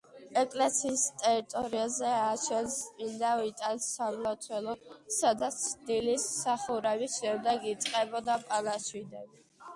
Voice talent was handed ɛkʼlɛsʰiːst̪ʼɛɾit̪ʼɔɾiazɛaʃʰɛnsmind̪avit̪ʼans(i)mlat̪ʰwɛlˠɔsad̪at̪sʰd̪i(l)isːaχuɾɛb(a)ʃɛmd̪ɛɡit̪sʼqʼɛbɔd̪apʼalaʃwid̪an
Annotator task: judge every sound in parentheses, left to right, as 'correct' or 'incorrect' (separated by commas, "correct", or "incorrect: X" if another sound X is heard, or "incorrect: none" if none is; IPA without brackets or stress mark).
incorrect: a, correct, incorrect: i